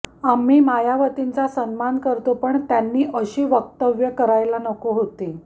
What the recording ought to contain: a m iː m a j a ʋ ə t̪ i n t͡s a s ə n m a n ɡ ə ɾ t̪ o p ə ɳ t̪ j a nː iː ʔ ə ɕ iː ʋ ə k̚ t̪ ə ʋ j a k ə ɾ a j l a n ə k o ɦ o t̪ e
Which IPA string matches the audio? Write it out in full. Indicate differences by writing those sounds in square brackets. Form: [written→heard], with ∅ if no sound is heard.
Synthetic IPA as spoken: a m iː m a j a ʋ ə t̪ i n t͡s a s ə n m a n [ɡ→k] ə ɾ t̪ o p ə ɳ t̪ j a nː iː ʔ ə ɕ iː ʋ ə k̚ t̪ ə ʋ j [a→ə] k ə ɾ a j l a n ə k o ɦ o t̪ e